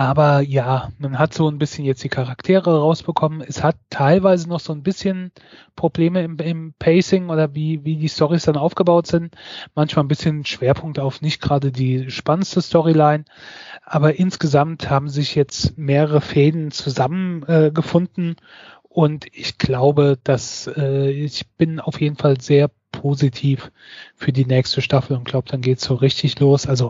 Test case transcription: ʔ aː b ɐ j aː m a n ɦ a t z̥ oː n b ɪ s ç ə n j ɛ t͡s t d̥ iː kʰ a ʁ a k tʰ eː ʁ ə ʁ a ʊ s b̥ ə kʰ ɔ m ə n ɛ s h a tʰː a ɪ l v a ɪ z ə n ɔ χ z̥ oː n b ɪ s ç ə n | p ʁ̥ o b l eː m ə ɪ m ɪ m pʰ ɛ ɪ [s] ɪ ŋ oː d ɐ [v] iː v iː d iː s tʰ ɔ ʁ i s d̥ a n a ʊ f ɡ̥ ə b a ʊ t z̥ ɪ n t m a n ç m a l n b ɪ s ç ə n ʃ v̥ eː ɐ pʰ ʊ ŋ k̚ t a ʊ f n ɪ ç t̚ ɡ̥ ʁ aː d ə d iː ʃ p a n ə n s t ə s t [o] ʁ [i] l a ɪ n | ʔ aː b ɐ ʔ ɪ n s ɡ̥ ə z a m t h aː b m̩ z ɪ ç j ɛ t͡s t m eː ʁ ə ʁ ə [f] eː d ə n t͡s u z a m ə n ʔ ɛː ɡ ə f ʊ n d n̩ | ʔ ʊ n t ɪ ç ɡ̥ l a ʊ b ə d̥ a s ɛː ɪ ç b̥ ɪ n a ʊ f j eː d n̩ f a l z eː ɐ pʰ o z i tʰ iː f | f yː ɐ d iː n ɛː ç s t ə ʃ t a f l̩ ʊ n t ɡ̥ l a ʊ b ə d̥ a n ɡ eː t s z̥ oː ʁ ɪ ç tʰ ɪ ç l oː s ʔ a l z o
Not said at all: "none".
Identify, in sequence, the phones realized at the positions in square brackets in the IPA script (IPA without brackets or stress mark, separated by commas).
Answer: s, v, ɔ, i, f